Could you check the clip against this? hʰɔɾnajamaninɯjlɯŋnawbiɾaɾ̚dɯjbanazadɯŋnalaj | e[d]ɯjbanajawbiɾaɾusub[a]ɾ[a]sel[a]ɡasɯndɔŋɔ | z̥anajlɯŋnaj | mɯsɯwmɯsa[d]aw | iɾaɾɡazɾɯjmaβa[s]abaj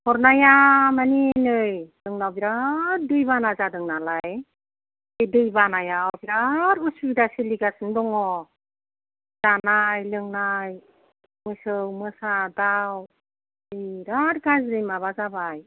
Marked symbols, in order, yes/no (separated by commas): yes, no, yes, no, yes, no